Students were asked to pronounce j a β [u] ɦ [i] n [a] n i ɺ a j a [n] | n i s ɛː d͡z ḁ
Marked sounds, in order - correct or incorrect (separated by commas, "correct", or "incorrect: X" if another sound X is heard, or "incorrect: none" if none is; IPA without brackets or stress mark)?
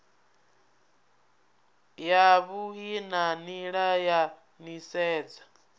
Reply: correct, correct, correct, incorrect: none